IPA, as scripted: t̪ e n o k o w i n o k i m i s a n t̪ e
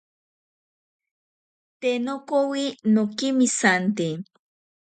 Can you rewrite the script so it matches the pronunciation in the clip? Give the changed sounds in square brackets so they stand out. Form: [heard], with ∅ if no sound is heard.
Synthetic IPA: t̪ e n o k o w i n o k i m i s a n t̪ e

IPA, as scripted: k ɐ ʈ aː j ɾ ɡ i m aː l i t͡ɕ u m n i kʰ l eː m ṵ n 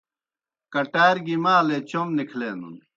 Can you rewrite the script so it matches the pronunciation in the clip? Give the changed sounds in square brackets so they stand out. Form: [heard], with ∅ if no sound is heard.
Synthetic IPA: k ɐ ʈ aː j ɾ ɡ i m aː l [e] t͡ɕ [o] m n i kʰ l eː [n] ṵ n

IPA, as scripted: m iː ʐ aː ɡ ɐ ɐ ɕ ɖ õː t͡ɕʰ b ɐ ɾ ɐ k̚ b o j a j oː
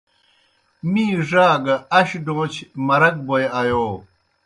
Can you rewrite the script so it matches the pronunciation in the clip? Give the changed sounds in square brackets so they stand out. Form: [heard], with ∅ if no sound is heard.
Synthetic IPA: m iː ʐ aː ɡ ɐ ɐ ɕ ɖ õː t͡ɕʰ [m] ɐ ɾ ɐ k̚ b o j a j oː

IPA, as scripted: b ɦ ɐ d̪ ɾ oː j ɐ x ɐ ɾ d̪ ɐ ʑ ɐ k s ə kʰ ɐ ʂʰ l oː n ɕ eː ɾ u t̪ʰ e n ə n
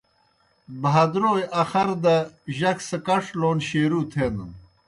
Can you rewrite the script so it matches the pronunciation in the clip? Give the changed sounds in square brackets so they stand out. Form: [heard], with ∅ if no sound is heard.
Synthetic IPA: b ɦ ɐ d̪ ɾ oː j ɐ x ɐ ɾ d̪ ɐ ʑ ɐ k s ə [k] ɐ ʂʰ l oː n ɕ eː ɾ u t̪ʰ e n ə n

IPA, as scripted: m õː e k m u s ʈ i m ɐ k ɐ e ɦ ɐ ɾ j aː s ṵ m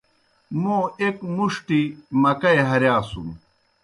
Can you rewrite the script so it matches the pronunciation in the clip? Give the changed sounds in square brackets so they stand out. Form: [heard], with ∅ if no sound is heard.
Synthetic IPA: m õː e k m u [ʂ] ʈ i m ɐ k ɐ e ɦ ɐ ɾ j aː s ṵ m

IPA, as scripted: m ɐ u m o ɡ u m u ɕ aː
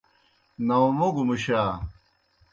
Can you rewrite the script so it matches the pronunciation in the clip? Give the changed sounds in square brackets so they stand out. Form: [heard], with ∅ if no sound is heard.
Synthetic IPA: [n] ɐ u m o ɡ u m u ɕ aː

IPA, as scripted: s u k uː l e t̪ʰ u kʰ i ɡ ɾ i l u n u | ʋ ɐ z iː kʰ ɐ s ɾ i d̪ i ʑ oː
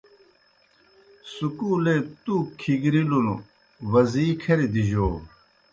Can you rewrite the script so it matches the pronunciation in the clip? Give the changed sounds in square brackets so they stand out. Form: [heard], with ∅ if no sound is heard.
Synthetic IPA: s u k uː l e [t̪] u kʰ i ɡ ɾ i l u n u | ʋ ɐ z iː kʰ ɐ [∅] ɾ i d̪ i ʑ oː

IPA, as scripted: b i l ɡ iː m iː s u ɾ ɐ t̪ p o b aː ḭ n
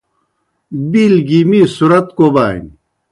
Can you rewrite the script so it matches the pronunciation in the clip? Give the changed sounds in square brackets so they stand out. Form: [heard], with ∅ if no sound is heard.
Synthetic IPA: b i l ɡ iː m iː s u ɾ ɐ t̪ [k] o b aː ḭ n

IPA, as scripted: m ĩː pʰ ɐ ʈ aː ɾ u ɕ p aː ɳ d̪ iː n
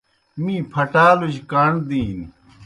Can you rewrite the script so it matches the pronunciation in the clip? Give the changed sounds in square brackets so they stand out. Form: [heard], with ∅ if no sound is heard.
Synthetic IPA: m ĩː pʰ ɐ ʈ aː [l] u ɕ [k] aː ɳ d̪ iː n

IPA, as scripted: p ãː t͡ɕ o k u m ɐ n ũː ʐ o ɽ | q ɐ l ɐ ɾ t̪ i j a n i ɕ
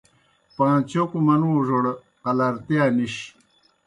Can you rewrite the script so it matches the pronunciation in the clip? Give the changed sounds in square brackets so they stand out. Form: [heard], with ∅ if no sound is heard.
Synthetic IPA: p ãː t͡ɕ o k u m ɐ n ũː ʐ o ɽ | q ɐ l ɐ ɾ t̪ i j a n i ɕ

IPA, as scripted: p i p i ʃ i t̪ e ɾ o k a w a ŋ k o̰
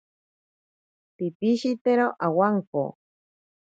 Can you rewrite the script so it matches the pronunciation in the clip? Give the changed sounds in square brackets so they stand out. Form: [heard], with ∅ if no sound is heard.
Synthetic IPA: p i p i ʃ i t̪ e ɾ o [ʔ] a w a ŋ k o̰

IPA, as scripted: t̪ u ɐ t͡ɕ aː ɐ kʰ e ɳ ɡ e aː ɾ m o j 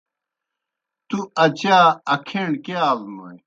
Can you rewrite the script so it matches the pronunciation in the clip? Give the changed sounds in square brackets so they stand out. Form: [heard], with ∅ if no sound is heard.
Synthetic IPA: t̪ u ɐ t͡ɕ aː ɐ kʰ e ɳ [k] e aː [l] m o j

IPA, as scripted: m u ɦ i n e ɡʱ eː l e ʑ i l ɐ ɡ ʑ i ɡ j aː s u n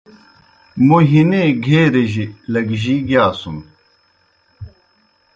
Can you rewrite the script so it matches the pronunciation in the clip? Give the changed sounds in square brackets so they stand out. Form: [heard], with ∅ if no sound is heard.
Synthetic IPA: m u ɦ i n e ɡʱ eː [ɾ] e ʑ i l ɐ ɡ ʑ i ɡ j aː s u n

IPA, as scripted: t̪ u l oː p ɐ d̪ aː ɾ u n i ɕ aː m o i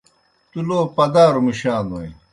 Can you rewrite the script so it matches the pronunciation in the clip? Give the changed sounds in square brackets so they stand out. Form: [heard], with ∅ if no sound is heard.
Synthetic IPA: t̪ u l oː p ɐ d̪ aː ɾ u [m] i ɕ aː [n] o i

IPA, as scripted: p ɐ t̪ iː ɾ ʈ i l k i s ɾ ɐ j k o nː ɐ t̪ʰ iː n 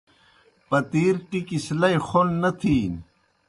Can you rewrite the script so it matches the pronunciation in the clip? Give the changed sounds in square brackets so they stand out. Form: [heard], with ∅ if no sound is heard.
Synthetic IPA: p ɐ t̪ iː ɾ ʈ i [∅] k i s [l] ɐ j [x] o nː ɐ t̪ʰ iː n

